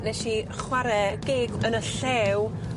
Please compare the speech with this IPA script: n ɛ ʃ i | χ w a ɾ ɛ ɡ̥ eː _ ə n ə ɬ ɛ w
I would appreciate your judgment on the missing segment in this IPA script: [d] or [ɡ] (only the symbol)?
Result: ɡ